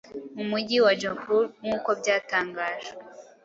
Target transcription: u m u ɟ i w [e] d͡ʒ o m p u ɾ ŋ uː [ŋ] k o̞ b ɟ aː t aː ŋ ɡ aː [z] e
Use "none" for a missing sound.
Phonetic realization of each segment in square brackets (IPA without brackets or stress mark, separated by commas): a, none, ʒ